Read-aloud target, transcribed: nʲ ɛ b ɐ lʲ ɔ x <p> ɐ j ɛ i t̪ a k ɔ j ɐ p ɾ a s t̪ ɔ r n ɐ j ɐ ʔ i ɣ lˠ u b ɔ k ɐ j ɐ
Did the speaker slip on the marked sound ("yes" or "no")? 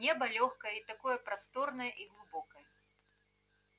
yes